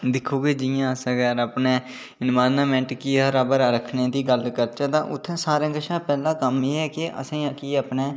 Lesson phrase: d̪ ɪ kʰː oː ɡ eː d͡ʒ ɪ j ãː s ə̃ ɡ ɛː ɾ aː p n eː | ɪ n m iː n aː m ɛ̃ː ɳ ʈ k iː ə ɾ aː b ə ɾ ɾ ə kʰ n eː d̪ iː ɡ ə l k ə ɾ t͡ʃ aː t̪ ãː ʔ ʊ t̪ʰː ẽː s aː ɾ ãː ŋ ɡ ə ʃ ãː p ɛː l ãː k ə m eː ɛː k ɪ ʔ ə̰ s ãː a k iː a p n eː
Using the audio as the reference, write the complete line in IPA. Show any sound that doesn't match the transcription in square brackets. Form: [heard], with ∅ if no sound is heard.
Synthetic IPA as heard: d̪ ɪ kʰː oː ɡ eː d͡ʒ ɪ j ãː s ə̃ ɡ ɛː ɾ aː p n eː | ɪ n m [aː] n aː m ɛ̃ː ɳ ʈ k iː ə ɾ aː b ə ɾ ɾ ə kʰ n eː d̪ iː ɡ ə l k ə ɾ t͡ʃ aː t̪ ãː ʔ ʊ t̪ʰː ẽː s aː ɾ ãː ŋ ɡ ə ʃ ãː p ɛː l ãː k ə m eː ɛː k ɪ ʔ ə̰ s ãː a k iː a p n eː

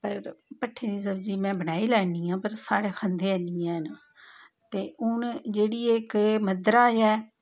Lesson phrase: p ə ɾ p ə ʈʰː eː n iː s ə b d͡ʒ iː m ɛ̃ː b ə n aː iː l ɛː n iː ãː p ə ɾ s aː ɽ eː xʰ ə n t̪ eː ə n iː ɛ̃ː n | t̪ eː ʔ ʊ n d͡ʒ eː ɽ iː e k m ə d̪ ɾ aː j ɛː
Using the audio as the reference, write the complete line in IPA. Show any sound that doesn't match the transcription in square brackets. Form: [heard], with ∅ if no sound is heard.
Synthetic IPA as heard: p ə ɾ p ə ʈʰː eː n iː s ə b d͡ʒ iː m ɛ̃ː b ə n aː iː l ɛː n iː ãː p ə ɾ s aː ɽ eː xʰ ə n [d̪] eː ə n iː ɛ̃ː n | t̪ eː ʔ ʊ n d͡ʒ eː ɽ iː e k m ə d̪ ɾ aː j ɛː

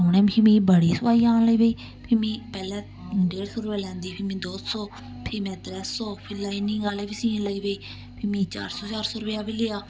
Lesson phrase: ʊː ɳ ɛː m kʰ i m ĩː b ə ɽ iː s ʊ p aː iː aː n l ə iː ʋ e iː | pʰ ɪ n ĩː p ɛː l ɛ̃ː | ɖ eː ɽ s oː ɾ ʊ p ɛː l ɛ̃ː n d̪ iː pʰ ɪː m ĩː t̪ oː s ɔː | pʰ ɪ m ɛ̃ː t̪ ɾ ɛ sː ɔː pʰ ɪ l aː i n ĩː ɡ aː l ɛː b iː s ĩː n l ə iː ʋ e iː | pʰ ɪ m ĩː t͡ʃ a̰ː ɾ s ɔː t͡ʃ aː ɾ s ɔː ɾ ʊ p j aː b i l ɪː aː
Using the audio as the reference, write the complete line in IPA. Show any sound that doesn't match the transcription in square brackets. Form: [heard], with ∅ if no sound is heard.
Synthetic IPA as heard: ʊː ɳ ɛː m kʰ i m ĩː b ə ɽ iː s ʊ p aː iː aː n l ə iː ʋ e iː | pʰ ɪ [m] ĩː p ɛː l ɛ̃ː | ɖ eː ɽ s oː ɾ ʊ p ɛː l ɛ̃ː n d̪ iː pʰ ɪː m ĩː [d̪] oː s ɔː | pʰ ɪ m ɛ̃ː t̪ ɾ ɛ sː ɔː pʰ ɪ l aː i n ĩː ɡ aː l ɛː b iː s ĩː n l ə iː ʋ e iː | pʰ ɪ m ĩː t͡ʃ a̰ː ɾ s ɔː t͡ʃ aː ɾ s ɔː ɾ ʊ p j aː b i l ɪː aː

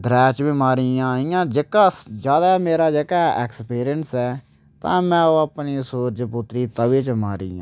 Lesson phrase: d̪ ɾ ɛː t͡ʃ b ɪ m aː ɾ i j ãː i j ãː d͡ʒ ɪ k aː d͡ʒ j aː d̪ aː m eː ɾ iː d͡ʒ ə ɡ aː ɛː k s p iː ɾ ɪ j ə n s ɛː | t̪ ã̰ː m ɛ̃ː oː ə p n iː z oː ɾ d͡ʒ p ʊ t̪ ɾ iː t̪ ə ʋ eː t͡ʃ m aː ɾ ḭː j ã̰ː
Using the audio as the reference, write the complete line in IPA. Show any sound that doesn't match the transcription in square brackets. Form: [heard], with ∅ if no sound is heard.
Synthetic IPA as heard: d̪ ɾ ɛː t͡ʃ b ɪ m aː ɾ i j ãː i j ãː d͡ʒ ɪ k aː d͡ʒ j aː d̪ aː m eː ɾ [aː] d͡ʒ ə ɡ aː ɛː k s p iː ɾ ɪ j ə n s ɛː | t̪ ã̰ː m ɛ̃ː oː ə p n iː [s] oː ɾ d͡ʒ p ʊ t̪ ɾ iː t̪ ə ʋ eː t͡ʃ m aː ɾ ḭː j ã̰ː

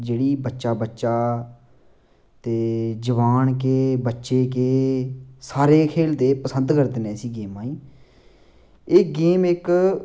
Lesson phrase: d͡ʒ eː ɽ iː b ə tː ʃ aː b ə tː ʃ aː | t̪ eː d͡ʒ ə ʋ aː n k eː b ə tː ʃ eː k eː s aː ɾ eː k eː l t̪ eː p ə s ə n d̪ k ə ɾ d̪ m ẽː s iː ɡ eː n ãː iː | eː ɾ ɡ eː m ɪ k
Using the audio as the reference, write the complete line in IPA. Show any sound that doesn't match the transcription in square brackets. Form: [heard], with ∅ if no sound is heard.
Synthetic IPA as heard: d͡ʒ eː ɽ iː b ə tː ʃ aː b ə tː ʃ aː | t̪ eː d͡ʒ ə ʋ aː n k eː b ə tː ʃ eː k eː s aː ɾ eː [kʰ] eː l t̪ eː p ə s ə n d̪ k ə ɾ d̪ [n] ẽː s iː ɡ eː [m] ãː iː | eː [∅] ɡ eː m ɪ k

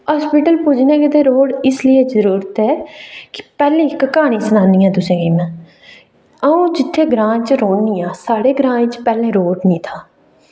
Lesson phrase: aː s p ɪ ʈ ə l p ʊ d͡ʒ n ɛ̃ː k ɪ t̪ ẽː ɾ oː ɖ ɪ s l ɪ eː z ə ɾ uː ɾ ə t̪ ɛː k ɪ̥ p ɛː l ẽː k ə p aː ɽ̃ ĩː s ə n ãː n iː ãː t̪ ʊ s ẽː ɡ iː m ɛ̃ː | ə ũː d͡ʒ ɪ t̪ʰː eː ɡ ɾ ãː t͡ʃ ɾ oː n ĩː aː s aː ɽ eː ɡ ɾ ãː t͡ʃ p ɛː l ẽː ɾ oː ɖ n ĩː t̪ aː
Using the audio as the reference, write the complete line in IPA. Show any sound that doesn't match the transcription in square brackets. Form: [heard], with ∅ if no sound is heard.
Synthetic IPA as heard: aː s p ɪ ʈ ə l p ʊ d͡ʒ n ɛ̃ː k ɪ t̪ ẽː ɾ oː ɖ ɪ s l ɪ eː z ə ɾ uː ɾ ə t̪ ɛː k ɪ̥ p ɛː l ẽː k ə [k] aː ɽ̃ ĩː s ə n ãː n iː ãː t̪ ʊ s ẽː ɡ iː m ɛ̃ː | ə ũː d͡ʒ ɪ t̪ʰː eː ɡ ɾ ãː t͡ʃ ɾ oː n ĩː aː s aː ɽ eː ɡ ɾ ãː t͡ʃ p ɛː l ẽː ɾ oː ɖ n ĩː [t̪ʰ] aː

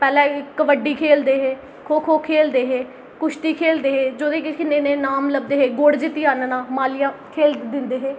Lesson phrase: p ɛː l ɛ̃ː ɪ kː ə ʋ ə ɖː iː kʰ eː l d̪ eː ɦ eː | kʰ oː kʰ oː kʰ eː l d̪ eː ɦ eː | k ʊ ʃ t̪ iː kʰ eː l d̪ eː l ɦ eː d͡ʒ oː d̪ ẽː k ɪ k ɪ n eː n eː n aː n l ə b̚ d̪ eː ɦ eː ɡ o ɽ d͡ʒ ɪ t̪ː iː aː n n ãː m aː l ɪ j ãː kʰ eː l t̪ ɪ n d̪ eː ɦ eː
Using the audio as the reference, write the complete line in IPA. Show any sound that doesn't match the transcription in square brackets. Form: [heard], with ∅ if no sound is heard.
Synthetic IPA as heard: p ɛː l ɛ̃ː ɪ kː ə ʋ ə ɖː iː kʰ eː l d̪ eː ɦ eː | kʰ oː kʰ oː kʰ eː l d̪ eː ɦ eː | k ʊ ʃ t̪ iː kʰ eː l d̪ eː [∅] ɦ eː d͡ʒ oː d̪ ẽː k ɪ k ɪ n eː n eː n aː [m] l ə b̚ d̪ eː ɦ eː ɡ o ɽ d͡ʒ ɪ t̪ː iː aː n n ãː m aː l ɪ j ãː kʰ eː l [d̪] ɪ n d̪ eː ɦ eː

